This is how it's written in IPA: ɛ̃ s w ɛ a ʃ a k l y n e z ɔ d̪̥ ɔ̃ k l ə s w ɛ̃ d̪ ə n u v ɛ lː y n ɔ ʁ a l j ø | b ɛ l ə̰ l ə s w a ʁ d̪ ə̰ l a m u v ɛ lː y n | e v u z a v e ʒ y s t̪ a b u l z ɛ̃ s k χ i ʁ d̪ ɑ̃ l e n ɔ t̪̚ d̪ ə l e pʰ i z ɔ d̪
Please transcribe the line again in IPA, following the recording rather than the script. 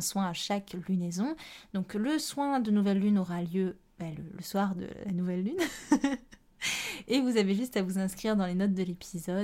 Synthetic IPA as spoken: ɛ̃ s w ɛ̃ a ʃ a k l y n e z ɔ̃ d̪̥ ɔ̃ k l ə s w ɛ̃ d̪ ə n u v ɛ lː y n ɔ ʁ a l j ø | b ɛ l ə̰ l ə s w a ʁ d̪ ə̰ l a n u v ɛ lː y n | e v u z a v e ʒ y s t̪ a v u z ɛ̃ s k χ i ʁ d̪ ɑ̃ l e n ɔ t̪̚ d̪ ə l e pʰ i z ɔ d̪